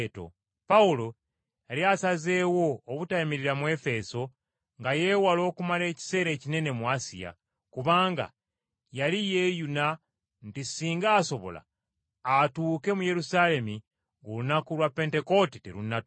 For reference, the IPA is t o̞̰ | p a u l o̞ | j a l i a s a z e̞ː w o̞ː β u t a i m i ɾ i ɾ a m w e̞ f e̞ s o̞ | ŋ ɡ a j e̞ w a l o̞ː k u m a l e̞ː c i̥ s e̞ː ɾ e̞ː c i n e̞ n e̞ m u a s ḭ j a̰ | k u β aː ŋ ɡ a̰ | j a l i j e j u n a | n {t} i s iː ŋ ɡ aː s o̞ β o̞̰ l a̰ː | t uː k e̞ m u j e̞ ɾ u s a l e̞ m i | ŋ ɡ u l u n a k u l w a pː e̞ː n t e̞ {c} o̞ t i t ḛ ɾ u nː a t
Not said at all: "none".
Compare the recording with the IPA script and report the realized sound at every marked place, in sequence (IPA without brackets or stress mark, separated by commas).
t, k